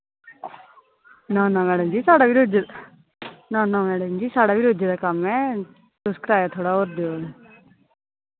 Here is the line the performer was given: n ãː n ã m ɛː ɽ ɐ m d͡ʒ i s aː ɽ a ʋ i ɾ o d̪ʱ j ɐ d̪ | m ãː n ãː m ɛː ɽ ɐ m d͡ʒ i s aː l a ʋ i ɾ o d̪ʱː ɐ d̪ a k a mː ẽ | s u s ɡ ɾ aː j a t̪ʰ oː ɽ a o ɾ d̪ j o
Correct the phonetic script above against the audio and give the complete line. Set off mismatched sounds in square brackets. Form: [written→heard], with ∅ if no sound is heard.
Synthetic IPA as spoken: n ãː n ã m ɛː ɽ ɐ m d͡ʒ i s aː ɽ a ʋ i ɾ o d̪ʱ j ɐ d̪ | [m→n] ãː n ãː m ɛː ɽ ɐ m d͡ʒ i s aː [l→ɽ] a ʋ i ɾ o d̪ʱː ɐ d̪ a k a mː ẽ | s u s [ɡ→k] ɾ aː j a t̪ʰ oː ɽ a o ɾ d̪ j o